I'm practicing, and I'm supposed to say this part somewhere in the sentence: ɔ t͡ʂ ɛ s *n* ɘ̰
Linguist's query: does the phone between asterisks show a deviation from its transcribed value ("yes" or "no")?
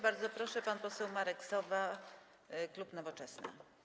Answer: no